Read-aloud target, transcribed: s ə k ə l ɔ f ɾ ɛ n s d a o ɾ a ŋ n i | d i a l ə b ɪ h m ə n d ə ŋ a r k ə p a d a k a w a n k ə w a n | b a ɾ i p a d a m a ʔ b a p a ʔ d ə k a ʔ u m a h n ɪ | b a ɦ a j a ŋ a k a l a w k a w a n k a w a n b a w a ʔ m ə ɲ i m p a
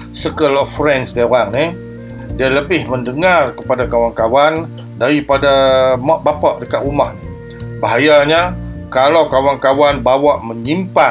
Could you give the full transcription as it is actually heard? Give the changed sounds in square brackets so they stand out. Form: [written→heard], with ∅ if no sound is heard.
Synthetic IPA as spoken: s ə k ə l ɔ f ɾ ɛ n s d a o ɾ a ŋ n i | d i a l ə b ɪ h m ə n d ə ŋ a r k ə p a d a k a w a n k [ə→a] w a n | [b→d] a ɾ i p a d a m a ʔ b a p a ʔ d ə k a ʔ u m a h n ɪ | b a ɦ a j a [ŋ→ɲ] a k a l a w k a w a n k a w a n b a w a ʔ m ə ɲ i m p a